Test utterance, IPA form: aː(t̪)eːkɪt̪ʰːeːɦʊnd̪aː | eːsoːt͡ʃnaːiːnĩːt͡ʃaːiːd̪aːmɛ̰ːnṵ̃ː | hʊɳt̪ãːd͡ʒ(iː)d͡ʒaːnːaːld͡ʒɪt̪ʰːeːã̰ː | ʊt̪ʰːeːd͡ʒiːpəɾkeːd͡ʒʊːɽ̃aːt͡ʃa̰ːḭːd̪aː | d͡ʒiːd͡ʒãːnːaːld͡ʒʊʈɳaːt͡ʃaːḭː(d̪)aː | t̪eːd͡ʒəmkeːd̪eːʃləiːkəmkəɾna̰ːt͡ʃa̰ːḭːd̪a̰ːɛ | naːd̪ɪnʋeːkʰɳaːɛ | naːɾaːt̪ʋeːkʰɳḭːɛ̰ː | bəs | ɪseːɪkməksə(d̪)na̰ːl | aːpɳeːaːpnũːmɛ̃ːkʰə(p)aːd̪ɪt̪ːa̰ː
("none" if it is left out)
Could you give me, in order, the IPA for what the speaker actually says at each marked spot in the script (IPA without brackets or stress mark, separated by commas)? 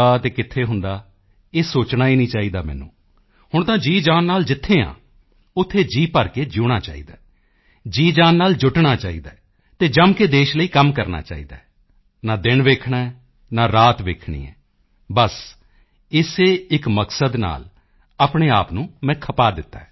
t̪, iː, d̪, d̪, p